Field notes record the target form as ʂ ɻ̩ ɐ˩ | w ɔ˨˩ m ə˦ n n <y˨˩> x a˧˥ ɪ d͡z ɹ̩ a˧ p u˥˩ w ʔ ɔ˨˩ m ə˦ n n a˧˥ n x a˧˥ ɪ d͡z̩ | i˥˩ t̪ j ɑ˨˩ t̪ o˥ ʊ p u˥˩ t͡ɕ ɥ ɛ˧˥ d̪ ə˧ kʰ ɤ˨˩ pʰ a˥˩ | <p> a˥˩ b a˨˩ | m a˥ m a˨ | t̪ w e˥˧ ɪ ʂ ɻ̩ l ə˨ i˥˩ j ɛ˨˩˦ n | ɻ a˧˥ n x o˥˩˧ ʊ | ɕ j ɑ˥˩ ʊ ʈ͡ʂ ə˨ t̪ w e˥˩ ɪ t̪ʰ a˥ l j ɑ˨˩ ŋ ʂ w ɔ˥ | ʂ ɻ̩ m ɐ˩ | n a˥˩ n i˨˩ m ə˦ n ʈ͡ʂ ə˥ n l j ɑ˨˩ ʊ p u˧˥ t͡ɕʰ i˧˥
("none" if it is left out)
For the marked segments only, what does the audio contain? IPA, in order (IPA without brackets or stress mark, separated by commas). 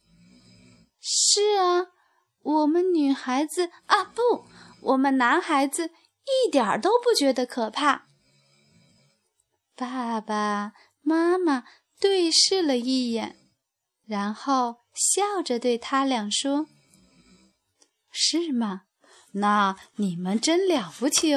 y˨˩, p